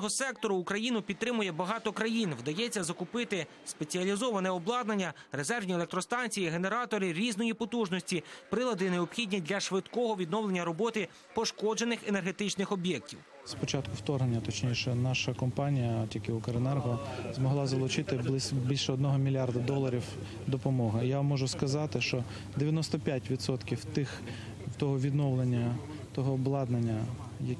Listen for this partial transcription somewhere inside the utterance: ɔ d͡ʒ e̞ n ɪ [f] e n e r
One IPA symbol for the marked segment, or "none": x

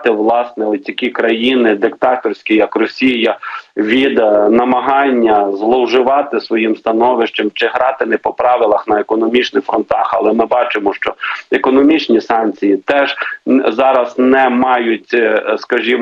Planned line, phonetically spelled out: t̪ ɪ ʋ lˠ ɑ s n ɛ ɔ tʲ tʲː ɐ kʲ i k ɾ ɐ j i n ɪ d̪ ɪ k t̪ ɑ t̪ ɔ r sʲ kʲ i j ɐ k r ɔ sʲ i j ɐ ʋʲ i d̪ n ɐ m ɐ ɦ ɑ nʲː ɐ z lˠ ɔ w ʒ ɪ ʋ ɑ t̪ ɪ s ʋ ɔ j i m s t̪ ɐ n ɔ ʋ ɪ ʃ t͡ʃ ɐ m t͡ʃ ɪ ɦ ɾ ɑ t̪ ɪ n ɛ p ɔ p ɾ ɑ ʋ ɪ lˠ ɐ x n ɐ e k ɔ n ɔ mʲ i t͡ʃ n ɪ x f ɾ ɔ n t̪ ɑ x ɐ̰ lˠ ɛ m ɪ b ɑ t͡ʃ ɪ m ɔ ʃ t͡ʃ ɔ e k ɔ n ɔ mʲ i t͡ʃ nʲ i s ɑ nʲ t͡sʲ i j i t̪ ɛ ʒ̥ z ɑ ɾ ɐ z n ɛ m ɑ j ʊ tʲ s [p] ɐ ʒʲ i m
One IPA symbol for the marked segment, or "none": k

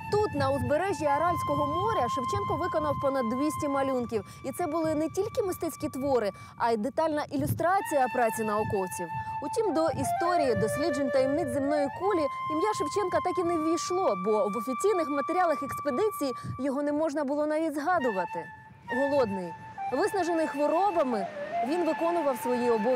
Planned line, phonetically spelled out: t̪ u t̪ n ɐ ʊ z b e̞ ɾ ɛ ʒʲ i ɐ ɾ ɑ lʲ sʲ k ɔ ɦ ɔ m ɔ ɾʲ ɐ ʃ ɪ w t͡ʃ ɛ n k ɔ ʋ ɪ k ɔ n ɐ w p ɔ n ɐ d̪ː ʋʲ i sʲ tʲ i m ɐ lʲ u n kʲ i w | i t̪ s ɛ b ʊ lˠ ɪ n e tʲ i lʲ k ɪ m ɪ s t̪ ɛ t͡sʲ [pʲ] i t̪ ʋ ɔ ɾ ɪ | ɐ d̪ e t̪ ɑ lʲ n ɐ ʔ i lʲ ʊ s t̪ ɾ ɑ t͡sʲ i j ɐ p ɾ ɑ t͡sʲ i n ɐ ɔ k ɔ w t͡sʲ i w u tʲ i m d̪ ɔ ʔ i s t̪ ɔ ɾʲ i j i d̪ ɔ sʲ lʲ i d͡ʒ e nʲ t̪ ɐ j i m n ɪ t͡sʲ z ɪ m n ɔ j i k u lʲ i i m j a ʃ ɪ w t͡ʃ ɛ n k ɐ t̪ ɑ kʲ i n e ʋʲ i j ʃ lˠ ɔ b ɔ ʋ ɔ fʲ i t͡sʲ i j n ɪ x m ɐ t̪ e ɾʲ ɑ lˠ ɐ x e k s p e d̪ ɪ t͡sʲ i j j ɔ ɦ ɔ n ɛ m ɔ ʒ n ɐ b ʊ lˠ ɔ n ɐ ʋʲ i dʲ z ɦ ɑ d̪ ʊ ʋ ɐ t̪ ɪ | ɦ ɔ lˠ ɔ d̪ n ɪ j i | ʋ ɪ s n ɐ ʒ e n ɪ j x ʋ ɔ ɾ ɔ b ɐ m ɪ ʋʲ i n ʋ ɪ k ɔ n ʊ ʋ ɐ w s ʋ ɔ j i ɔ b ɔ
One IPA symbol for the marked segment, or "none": kʲ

